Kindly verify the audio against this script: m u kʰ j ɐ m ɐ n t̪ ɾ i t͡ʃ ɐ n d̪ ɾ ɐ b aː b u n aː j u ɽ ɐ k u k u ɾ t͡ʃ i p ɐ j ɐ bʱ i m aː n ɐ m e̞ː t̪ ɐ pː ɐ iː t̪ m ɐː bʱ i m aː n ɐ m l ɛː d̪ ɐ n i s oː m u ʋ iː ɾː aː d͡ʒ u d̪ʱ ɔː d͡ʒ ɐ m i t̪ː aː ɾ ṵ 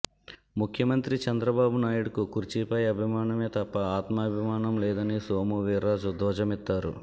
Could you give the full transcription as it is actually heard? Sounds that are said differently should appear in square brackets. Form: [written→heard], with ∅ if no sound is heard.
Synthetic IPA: m u kʰ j ɐ m ɐ n t̪ ɾ i t͡ʃ ɐ n d̪ ɾ ɐ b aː b u n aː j u ɽ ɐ k u k u ɾ t͡ʃ i p ɐ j ɐ bʱ i m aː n ɐ m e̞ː t̪ ɐ pː ɐ [iː→aː] t̪ m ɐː bʱ i m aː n ɐ m l ɛː d̪ ɐ n i s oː m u ʋ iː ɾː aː d͡ʒ u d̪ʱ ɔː d͡ʒ ɐ m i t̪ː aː ɾ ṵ

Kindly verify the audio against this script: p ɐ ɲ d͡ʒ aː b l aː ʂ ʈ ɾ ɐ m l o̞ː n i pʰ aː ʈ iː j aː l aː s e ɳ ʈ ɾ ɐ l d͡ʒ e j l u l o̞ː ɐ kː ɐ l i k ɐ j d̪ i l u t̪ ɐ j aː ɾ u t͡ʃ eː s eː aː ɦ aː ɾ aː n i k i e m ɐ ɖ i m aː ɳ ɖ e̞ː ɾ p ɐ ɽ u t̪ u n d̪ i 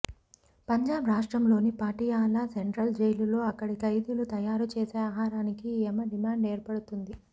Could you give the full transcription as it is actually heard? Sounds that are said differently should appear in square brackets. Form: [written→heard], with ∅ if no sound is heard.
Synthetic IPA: p ɐ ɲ d͡ʒ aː b [l→ɾ] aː ʂ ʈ ɾ ɐ m l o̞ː n i [pʰ→p] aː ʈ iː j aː l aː s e ɳ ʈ ɾ ɐ l d͡ʒ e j l u l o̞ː ɐ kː ɐ [l→ɽ] i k ɐ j d̪ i l u t̪ ɐ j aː ɾ u t͡ʃ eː s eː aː ɦ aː ɾ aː n i k i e m ɐ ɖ i m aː ɳ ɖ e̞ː ɾ p ɐ ɽ u t̪ u n d̪ i

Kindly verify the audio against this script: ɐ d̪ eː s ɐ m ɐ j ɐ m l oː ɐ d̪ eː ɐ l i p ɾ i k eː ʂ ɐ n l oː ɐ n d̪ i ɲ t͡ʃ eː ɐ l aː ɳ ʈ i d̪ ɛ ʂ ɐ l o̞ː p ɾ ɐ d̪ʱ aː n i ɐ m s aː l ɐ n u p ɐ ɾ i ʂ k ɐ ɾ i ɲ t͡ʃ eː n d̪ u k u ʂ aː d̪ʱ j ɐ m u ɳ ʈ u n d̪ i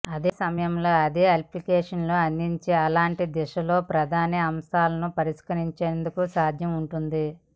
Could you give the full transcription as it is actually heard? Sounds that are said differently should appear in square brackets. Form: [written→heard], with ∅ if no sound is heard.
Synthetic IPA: ɐ d̪ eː s ɐ m ɐ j ɐ m l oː ɐ d̪ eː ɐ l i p [ɾ→l] i k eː ʂ ɐ n l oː ɐ n d̪ i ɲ t͡ʃ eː ɐ l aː ɳ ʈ i d̪ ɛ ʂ ɐ l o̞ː p ɾ ɐ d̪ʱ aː n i ɐ m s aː l ɐ n u p ɐ ɾ i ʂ k ɐ ɾ i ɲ t͡ʃ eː n d̪ u k u [ʂ→s] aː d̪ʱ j ɐ m u ɳ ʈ u n d̪ i

